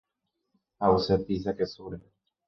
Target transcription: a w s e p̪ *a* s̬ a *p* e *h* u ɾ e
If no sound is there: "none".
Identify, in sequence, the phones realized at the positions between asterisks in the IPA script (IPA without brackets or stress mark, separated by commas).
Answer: i, k, s